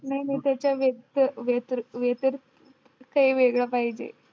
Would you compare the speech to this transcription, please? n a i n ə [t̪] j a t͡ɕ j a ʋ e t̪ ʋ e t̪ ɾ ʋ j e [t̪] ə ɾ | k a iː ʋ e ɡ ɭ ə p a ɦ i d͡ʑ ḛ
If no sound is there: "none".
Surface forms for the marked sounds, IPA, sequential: t̪, t̪

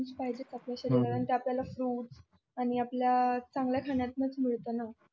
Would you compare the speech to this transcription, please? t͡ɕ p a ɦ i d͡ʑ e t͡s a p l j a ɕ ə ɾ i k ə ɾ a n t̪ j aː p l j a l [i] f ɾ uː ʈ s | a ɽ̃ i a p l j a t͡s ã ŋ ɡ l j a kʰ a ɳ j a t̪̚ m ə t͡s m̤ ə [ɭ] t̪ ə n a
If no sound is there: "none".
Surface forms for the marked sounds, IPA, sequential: a, ɭ

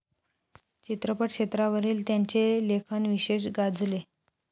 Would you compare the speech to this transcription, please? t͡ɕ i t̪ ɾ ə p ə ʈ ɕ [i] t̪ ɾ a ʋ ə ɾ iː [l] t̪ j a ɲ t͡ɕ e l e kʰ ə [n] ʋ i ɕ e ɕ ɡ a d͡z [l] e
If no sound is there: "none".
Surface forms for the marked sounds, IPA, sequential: e, l, n, l

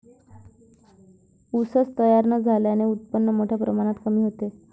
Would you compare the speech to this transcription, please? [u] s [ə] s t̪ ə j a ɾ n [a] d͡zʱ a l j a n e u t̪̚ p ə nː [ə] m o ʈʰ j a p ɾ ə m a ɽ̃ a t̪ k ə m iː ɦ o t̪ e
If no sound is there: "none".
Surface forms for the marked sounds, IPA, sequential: u, ə, ə, ə

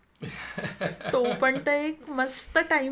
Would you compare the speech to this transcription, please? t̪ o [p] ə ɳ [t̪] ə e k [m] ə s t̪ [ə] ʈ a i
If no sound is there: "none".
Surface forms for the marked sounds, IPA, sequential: p, t̪, m, ə

